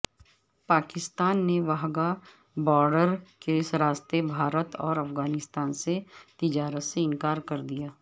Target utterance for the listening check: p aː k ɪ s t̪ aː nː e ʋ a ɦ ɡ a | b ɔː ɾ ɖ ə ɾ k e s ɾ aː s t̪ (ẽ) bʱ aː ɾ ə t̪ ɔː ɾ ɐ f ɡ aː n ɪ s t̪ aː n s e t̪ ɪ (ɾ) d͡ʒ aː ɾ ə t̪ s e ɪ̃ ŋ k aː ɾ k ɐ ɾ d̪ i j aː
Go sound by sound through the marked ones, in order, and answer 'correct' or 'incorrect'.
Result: incorrect: e, incorrect: none

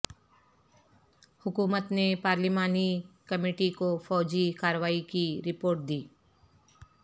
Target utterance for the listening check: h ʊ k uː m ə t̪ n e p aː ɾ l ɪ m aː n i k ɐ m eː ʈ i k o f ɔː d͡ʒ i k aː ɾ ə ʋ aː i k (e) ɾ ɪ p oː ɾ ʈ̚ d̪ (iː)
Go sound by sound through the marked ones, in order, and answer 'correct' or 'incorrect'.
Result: incorrect: i, correct

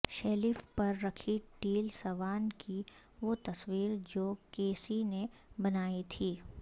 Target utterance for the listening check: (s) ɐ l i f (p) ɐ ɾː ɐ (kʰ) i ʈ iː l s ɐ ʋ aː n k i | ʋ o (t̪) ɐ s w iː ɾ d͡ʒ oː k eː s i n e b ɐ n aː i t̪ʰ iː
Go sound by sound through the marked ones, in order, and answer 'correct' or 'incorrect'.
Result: incorrect: ʃ, correct, correct, correct

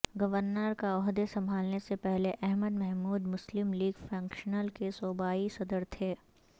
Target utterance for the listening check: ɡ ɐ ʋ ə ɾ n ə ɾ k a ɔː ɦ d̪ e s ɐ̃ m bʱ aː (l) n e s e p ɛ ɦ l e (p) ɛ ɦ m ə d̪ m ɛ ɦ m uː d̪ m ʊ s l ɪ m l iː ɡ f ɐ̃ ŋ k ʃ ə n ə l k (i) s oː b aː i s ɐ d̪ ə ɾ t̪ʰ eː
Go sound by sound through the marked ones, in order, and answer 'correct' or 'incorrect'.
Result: correct, incorrect: ʔ, incorrect: e

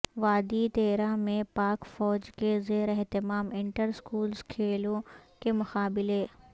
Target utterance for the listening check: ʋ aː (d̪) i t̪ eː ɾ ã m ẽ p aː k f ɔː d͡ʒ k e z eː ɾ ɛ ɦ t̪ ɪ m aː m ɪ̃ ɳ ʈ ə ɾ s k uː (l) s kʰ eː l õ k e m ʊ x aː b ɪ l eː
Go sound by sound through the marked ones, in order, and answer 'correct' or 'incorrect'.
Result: correct, correct

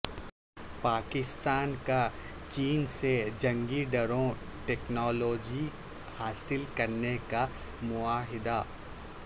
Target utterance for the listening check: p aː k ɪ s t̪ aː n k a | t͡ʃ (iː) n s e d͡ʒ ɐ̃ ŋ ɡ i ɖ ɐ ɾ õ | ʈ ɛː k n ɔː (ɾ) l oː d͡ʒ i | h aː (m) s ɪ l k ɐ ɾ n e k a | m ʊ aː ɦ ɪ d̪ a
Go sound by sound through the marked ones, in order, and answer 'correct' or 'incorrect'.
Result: correct, incorrect: none, incorrect: none

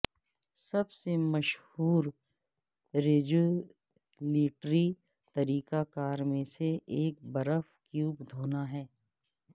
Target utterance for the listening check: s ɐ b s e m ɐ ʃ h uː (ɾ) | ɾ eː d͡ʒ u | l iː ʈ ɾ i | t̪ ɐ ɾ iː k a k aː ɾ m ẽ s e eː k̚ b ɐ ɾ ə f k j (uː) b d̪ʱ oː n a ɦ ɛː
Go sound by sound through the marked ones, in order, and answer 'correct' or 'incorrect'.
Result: correct, correct

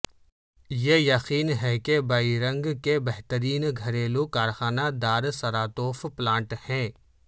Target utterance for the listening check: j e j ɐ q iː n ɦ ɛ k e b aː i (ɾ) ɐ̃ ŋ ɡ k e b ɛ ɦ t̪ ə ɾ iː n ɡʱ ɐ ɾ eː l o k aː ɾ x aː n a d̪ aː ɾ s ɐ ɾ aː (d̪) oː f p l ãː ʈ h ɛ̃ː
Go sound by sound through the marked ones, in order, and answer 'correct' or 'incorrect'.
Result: correct, incorrect: t̪

